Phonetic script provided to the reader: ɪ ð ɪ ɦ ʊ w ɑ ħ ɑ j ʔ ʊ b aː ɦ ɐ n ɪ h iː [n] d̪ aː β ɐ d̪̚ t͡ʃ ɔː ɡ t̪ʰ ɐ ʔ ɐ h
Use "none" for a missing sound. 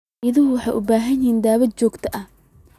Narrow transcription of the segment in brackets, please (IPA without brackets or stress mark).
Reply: n